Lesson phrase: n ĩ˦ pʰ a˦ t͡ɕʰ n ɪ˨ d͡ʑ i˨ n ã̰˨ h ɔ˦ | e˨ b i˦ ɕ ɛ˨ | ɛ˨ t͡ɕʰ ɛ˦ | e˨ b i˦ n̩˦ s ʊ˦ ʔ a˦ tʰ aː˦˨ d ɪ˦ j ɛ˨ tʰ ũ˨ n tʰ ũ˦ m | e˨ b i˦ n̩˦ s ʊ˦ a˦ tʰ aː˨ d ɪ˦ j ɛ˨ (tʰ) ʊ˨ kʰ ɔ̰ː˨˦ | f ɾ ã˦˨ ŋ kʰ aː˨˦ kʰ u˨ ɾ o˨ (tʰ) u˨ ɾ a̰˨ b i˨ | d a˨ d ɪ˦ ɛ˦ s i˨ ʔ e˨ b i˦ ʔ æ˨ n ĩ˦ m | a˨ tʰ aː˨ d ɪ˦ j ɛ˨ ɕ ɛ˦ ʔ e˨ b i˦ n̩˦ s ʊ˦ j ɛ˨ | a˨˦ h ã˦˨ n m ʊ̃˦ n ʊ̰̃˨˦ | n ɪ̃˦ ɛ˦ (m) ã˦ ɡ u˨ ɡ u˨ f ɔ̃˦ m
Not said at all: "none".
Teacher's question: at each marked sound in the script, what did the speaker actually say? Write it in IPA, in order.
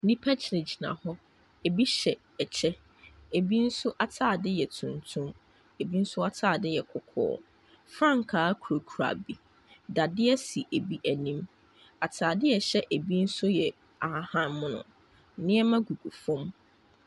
kʰ, kʰ, m

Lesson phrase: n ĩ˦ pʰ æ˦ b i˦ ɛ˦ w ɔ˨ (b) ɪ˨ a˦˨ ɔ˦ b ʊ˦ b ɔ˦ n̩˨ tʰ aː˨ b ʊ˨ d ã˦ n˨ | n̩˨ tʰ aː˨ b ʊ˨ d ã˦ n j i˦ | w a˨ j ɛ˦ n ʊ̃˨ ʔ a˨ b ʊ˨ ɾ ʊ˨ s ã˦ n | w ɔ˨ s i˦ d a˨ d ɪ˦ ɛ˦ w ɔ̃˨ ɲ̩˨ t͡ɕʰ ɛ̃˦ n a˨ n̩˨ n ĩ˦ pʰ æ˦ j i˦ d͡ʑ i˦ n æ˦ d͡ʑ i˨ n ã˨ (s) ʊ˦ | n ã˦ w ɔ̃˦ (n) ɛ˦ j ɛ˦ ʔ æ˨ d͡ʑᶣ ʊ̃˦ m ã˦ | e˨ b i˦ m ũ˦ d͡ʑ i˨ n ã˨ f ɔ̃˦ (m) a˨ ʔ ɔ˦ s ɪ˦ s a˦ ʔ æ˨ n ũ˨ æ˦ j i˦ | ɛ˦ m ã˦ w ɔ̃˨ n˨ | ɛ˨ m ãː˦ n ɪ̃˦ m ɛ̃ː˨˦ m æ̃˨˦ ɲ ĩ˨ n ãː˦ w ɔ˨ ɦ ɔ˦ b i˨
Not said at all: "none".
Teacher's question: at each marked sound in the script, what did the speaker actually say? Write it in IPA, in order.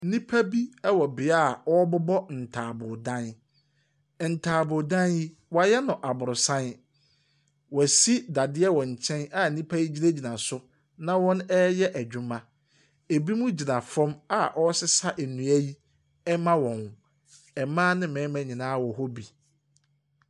b, s, n, m

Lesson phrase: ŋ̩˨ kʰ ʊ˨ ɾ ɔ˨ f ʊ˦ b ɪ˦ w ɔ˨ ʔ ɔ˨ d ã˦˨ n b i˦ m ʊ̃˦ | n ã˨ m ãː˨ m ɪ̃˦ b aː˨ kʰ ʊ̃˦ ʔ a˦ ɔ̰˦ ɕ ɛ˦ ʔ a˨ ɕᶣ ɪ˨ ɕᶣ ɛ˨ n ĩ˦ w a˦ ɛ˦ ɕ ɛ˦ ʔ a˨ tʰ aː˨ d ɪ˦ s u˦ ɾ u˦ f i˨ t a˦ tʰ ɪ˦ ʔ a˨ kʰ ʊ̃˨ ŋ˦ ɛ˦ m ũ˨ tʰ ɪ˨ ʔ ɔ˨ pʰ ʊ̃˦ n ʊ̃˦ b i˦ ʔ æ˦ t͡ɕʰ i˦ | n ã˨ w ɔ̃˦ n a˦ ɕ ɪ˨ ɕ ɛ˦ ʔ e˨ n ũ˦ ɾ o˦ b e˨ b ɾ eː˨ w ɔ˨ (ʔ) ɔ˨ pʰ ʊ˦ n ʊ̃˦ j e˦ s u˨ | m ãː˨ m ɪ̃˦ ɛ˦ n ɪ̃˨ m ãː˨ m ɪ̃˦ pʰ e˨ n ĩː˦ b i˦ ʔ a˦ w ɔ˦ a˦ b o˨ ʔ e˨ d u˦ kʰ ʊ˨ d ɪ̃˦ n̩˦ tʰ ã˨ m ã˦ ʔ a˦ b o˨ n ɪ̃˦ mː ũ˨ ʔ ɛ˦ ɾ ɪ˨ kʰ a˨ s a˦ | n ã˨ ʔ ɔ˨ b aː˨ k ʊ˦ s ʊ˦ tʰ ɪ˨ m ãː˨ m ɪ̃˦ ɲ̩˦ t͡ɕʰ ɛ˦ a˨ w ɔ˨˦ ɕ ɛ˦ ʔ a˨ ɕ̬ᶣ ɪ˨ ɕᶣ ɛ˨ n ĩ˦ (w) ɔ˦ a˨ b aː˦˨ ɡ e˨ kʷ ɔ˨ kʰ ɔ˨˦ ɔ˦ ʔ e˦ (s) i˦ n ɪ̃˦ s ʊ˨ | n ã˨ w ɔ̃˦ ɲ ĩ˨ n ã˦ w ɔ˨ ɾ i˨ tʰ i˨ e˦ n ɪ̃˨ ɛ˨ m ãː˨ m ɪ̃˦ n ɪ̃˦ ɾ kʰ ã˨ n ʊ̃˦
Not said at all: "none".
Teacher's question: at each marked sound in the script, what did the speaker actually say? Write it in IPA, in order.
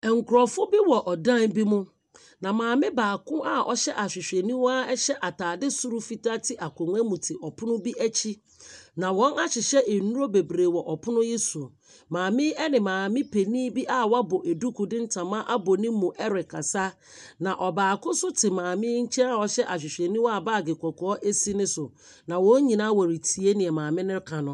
ʔ, w, s

